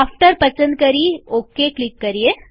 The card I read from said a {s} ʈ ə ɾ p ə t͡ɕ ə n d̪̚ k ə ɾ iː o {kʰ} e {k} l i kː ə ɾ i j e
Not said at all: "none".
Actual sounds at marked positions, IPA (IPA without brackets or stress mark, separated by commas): f, k, k